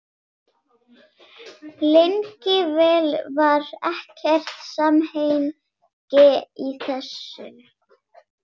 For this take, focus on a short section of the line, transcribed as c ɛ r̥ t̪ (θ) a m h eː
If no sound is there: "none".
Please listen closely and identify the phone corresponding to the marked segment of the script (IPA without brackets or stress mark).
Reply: s